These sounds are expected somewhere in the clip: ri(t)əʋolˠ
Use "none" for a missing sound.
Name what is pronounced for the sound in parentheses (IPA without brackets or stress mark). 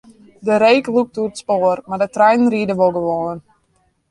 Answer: d